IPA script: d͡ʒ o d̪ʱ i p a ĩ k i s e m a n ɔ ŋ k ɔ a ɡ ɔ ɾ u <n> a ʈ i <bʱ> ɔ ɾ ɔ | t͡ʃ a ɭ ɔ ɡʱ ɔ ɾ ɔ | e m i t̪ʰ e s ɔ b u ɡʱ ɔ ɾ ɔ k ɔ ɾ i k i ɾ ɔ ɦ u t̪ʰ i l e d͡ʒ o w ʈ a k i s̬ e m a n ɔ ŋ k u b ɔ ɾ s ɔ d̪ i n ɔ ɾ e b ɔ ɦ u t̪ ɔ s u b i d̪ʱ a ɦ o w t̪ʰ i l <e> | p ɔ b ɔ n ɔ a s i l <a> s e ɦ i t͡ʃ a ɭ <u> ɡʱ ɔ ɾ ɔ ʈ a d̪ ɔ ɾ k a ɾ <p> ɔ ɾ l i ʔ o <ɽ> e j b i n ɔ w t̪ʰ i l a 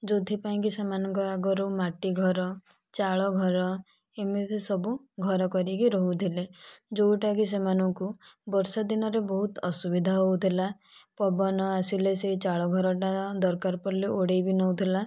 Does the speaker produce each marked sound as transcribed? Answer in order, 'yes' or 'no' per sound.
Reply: no, no, no, no, no, yes, yes

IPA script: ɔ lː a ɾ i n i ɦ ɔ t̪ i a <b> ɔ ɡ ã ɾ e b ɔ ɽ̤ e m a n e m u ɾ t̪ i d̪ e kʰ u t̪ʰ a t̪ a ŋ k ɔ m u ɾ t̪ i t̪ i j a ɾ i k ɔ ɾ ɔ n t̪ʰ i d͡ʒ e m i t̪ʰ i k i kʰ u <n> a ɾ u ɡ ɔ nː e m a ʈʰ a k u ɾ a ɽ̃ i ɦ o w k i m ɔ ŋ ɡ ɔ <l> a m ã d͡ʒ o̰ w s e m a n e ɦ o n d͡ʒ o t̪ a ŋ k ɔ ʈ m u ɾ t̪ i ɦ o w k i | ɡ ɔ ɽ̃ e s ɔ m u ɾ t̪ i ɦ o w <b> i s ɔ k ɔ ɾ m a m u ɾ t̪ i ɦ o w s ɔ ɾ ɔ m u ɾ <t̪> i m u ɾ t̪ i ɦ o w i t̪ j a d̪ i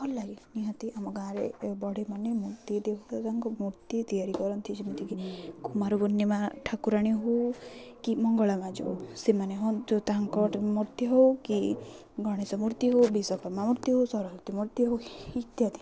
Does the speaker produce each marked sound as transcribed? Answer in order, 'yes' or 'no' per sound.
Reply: no, no, no, yes, yes

